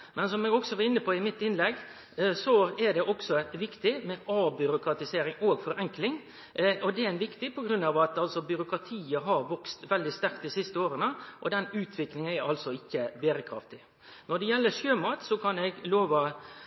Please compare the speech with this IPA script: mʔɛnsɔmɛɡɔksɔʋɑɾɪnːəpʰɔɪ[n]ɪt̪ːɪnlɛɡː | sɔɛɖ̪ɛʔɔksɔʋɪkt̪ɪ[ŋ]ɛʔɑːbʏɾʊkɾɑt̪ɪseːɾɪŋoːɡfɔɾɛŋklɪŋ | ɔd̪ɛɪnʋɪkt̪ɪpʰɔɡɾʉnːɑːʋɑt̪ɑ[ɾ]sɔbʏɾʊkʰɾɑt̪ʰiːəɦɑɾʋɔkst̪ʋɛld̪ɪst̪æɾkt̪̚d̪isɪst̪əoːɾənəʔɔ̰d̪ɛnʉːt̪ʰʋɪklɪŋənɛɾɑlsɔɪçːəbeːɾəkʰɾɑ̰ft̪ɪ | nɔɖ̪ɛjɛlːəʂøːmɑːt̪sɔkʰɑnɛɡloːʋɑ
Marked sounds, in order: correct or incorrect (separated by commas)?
incorrect, incorrect, incorrect